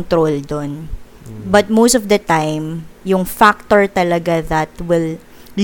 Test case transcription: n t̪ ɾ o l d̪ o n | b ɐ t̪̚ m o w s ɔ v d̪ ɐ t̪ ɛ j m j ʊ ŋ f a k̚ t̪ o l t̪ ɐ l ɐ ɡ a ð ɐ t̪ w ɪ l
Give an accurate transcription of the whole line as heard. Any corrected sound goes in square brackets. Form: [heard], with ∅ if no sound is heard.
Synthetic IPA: n t̪ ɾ o l d̪ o n | b ɐ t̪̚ m o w s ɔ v d̪ ɐ t̪ [a] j m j ʊ ŋ f a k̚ t̪ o [ɹ] t̪ ɐ l ɐ ɡ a ð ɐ t̪ w ɪ l